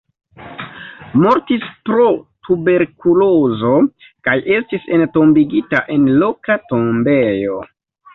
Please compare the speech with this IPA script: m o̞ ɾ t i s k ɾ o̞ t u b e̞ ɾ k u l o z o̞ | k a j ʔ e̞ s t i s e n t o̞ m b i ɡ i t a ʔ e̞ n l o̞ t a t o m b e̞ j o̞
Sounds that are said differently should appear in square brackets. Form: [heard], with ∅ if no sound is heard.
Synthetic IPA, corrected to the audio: m o̞ ɾ t i s [p] ɾ o̞ t u b e̞ ɾ k u l o z o̞ | k a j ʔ e̞ s t i s e n t o̞ m b i ɡ i t a ʔ e̞ n l o̞ [k] a t o m b e̞ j o̞